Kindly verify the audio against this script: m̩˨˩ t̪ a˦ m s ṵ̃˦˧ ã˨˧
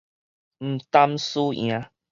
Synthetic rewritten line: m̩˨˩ t̪ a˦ m s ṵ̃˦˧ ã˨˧